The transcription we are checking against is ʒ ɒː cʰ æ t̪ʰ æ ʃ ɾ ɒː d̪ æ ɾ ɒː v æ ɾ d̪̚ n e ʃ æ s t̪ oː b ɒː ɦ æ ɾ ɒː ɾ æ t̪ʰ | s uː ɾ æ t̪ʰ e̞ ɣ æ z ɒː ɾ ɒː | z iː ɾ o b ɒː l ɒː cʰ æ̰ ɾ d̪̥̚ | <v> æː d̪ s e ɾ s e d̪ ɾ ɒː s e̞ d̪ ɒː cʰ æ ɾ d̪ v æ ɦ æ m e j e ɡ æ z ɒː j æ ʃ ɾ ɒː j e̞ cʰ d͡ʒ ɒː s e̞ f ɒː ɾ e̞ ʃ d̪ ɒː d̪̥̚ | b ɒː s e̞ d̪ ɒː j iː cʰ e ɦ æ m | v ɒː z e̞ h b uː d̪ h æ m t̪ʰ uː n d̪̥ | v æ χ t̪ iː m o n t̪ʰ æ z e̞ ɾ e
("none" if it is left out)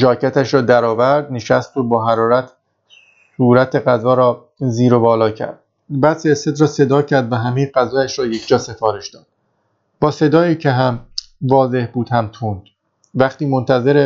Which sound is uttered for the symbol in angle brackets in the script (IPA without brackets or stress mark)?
b